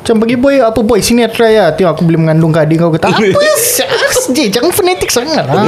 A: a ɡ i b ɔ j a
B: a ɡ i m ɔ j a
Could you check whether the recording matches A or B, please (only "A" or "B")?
A